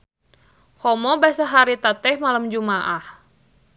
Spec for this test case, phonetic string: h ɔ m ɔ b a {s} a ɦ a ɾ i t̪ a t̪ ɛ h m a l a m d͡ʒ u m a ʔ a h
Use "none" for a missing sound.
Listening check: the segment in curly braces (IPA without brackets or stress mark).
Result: s